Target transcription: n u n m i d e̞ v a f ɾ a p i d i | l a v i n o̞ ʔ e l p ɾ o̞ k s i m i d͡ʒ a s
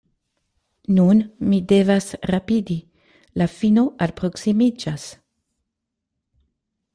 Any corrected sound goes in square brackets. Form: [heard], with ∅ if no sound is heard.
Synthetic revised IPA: n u n m i d e̞ v a [s] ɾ a p i d i | l a [f] i n o̞ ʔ [a] l p ɾ o̞ k s i m i d͡ʒ a s

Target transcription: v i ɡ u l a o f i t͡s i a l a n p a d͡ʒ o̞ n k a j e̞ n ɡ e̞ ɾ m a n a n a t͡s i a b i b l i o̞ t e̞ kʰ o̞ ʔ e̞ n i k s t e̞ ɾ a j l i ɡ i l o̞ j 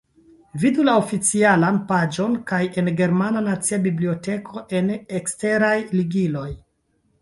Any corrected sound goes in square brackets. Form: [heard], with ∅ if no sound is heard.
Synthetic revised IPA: v i [d] u l a o f i t͡s i a l a n p a d͡ʒ o̞ n k a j e̞ n ɡ e̞ ɾ m a n a n a t͡s i a b i b l i o̞ t e̞ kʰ o̞ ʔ e̞ n [e] k s t e̞ ɾ a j l i ɡ i l o̞ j

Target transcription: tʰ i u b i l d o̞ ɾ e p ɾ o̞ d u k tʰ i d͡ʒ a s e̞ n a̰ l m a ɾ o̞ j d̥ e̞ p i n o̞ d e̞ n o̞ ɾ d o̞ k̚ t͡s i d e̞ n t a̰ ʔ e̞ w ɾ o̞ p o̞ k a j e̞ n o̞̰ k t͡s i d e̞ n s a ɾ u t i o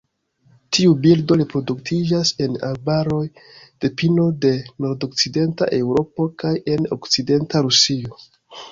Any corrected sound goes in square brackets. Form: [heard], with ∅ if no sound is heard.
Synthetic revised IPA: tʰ i u b i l d o̞ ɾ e p ɾ o̞ d u k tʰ i d͡ʒ a s e̞ n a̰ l [b] a ɾ o̞ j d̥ e̞ p i n o̞ d e̞ n o̞ ɾ d o̞ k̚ t͡s i d e̞ n t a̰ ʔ e̞ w ɾ o̞ p o̞ k a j e̞ n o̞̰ k t͡s i d e̞ n [t] a ɾ u [s] i o

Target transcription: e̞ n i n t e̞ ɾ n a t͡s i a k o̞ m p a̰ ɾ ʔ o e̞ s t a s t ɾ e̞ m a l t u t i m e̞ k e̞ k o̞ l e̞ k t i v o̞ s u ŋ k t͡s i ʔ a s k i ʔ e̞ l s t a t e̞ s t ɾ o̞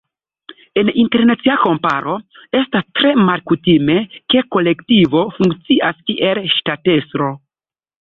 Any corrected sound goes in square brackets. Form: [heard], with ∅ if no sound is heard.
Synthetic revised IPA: e̞ n i n t e̞ ɾ n a t͡s i a k o̞ m p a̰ ɾ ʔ o e̞ s t a s t ɾ e̞ m a l [k] u t i m e̞ k e̞ k o̞ l e̞ k t i v o̞ [f] u ŋ k t͡s i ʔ a s k i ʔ e̞ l [ʃ] t a t e̞ s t ɾ o̞

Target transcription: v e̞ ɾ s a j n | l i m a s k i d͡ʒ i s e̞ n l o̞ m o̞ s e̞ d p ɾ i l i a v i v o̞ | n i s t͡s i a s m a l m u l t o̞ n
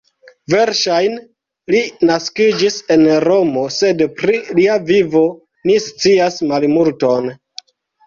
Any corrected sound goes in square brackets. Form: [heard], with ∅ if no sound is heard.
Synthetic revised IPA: v e̞ ɾ [ʃ] a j n | l i [n] a s k i d͡ʒ i s e̞ n [ɾ] o̞ m o̞ s e̞ d p ɾ i l i a v i v o̞ | n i s t͡s i a s m a l m u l t o̞ n

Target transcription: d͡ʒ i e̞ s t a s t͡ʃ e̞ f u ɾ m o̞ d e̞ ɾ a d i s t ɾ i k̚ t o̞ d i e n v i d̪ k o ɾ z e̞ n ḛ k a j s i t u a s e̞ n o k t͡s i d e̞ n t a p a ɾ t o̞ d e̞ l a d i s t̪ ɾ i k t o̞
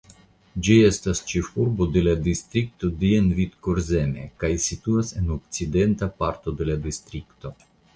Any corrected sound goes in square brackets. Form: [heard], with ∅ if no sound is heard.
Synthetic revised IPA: d͡ʒ i e̞ s t a s t͡ʃ e̞ f u ɾ [b] o̞ d e̞ [l] a d i s t ɾ i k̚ t o̞ d i e n v i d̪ k o ɾ z e̞ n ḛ k a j s i t u a s e̞ n o k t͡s i d e̞ n t a p a ɾ t o̞ d e̞ l a d i s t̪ ɾ i k t o̞

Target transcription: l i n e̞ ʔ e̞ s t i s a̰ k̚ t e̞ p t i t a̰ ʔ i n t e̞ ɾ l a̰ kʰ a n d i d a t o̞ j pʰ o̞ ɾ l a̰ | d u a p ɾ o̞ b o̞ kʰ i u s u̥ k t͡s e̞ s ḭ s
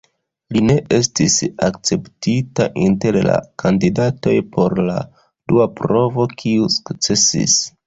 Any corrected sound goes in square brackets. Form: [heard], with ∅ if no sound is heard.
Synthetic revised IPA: l i n e̞ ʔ e̞ s t i s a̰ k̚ [t͡s] e̞ p t i t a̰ ʔ i n t e̞ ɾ l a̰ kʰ a n d i d a t o̞ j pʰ o̞ ɾ l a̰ | d u a p ɾ o̞ [v] o̞ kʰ i u s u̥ k t͡s e̞ s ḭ s

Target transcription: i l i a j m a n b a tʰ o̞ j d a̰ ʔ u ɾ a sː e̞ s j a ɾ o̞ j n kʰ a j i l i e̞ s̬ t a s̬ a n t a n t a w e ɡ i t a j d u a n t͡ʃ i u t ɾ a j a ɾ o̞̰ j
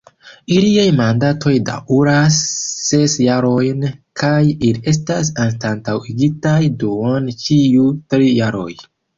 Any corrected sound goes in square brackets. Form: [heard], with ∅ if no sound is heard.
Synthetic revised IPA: i l i a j m a n [d] a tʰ o̞ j d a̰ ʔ u ɾ a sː e̞ s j a ɾ o̞ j n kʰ a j i l i e̞ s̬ t a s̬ a n t a n t a w [i] ɡ i t a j d u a n t͡ʃ i u t ɾ [i] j a ɾ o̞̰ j

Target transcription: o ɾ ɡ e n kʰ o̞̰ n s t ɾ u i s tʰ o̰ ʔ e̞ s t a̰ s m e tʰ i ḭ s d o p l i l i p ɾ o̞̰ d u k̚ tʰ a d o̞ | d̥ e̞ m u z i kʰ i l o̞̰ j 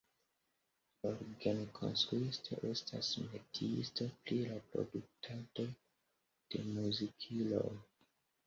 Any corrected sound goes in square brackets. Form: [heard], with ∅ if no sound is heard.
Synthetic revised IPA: o ɾ ɡ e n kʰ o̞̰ n s t ɾ u i s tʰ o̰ ʔ e̞ s t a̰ s m e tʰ i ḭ s [t] o p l i l [a] p ɾ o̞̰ d u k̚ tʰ a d o̞ | d̥ e̞ m u z i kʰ i l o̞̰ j

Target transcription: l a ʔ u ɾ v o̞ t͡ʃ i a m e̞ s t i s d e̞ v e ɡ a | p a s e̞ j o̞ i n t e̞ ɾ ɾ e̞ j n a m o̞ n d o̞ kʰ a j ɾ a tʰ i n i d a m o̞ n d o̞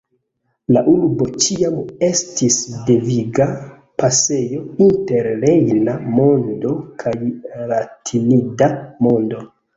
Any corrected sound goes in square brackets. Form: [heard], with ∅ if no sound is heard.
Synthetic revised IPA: l a ʔ u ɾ [b] o̞ t͡ʃ i a m e̞ s t i s d e̞ v [i] ɡ a | p a s e̞ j o̞ i n t e̞ ɾ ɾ e̞ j n a m o̞ n d o̞ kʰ a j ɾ a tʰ i n i d a m o̞ n d o̞

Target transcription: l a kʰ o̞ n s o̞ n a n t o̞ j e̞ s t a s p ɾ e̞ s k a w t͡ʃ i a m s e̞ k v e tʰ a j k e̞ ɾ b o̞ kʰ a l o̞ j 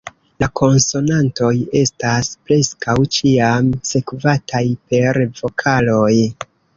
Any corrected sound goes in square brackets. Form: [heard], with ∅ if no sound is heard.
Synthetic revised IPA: l a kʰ o̞ n s o̞ n a n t o̞ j e̞ s t a s p ɾ e̞ s k a w t͡ʃ i a m s e̞ k v [a] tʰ a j [p] e̞ ɾ [v] o̞ kʰ a l o̞ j

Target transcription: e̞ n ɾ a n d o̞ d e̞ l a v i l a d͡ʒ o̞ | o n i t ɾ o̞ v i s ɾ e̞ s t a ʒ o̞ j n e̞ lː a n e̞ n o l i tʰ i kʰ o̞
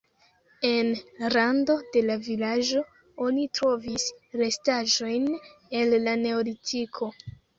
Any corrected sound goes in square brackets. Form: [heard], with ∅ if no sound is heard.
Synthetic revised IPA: e̞ n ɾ a n d o̞ d e̞ l a v i l a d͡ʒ o̞ | o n i t ɾ o̞ v i s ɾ e̞ s t a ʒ o̞ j n e̞ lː a n e̞ [∅] o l i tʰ i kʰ o̞

